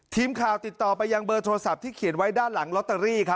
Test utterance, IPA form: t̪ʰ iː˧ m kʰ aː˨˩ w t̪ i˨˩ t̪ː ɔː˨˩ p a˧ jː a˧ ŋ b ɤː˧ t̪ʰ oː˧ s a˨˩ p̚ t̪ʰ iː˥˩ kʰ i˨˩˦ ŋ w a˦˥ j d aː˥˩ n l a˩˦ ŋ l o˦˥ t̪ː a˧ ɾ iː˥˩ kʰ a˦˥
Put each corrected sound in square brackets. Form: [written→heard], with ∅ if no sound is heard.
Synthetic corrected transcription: t̪ʰ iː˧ m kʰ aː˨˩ w t̪ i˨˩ t̪ː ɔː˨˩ p a˧ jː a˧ ŋ b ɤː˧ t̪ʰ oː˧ s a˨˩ p̚ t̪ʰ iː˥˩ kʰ i˨˩˦ [ŋ→n] w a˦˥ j d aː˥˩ n l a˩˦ ŋ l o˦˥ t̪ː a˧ ɾ iː˥˩ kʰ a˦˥